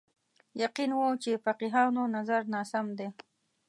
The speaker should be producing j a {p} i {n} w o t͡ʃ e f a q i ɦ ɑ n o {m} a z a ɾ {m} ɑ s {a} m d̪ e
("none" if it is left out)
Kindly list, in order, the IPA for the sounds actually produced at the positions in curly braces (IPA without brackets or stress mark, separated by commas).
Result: q, n, n, n, a